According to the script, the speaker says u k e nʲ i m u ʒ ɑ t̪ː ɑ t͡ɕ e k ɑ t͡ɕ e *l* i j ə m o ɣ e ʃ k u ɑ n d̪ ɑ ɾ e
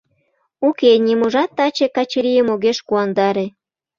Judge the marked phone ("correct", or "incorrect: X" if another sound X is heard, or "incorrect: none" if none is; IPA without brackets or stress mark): incorrect: ɾ